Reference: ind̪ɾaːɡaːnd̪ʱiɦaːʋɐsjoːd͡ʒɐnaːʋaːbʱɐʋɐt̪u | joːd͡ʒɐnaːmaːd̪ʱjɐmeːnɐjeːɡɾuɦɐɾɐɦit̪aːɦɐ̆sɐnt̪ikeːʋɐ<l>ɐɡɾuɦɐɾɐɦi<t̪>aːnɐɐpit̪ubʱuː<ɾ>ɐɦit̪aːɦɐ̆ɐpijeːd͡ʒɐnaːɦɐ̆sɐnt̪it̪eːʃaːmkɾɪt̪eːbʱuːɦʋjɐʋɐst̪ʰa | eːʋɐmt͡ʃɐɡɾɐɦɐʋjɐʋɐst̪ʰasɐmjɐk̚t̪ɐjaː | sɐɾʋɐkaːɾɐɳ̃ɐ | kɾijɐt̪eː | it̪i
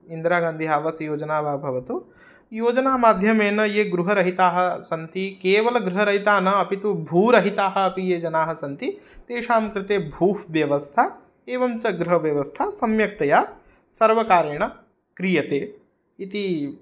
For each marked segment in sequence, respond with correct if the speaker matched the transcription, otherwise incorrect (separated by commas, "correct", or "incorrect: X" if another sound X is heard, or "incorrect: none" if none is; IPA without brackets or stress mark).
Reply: correct, correct, correct